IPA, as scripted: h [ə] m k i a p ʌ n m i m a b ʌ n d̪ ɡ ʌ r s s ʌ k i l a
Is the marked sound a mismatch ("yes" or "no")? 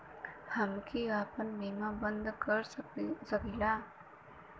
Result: yes